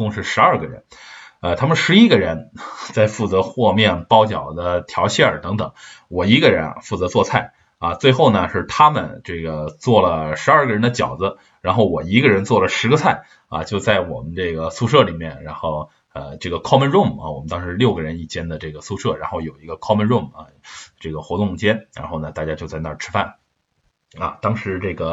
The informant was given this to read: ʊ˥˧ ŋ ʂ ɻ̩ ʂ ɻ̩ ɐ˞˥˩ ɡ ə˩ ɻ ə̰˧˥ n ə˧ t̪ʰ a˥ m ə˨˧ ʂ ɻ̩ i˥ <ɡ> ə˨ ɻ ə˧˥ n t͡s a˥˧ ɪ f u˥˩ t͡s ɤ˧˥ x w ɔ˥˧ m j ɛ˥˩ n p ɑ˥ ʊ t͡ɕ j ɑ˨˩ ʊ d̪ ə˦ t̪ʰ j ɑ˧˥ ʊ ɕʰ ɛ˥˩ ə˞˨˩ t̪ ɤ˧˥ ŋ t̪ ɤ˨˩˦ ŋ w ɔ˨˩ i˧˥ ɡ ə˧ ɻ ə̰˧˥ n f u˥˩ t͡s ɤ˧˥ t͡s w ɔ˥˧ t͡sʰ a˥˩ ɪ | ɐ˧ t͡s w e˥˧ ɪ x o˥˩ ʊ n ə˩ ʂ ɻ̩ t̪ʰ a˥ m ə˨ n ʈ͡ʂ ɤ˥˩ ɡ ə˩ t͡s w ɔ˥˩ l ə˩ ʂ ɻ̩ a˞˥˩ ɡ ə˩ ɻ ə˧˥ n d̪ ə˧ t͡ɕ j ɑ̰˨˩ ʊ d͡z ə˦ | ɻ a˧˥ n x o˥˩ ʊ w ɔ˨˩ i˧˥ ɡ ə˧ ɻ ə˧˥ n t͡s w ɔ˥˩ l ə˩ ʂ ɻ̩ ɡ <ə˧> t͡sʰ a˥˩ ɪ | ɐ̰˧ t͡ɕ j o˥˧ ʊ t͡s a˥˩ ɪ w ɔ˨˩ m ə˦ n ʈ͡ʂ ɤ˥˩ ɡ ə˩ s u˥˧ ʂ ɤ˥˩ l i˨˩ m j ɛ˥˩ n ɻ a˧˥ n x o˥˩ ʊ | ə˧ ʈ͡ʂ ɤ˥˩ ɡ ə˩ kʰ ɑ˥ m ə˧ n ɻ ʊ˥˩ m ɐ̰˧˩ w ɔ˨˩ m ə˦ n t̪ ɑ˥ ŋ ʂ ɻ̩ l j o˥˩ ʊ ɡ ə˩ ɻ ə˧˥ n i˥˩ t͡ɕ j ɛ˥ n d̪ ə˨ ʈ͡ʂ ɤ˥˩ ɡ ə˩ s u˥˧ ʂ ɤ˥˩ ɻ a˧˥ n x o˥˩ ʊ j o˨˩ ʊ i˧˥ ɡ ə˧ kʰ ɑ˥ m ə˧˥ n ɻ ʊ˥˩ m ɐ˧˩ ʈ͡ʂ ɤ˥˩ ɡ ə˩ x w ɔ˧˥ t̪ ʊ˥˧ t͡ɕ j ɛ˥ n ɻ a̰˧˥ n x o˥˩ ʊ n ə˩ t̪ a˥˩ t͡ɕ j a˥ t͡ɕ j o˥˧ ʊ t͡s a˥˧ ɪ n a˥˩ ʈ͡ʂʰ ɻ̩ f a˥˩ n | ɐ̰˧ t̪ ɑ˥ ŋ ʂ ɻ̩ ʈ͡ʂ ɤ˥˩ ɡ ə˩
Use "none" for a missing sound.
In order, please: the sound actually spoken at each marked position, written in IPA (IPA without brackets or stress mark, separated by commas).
ɡ, ə˧